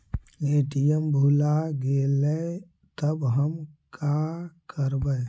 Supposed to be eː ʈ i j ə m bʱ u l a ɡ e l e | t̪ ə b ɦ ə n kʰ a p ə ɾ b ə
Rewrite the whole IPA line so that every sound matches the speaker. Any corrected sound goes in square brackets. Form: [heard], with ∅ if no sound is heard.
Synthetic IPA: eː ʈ i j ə m bʱ u l a ɡ e l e | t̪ ə b ɦ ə [m] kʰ a [k] ə ɾ b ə